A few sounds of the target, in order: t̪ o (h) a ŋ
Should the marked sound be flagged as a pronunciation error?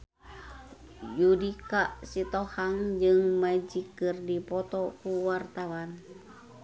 no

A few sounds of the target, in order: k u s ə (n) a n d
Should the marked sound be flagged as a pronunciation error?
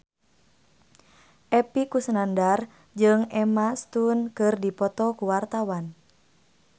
no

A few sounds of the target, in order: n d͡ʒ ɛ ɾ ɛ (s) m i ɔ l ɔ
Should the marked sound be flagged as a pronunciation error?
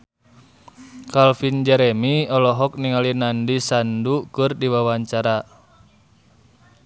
yes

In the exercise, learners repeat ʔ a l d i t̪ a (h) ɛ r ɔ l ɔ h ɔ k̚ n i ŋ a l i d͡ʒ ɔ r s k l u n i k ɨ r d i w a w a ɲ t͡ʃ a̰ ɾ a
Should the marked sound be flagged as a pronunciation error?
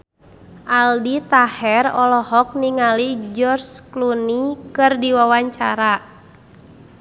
no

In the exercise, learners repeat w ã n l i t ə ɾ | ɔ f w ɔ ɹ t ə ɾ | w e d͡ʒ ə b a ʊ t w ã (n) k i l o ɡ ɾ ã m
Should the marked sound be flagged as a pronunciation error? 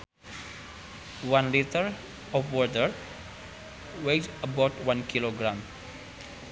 no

